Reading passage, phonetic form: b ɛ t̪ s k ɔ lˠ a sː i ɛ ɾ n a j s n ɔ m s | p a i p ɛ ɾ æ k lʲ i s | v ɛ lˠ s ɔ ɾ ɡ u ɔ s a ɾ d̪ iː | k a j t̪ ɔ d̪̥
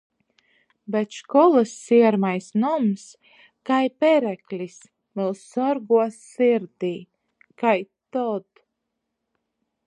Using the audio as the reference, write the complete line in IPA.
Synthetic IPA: b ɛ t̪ ʃ k ɔ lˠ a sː i ɛ ɾ m a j s n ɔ m s | k a j p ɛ ɾ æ k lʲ i s | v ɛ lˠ s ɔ ɾ ɡ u ɔ s i ɾ d̪ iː | k a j t̪ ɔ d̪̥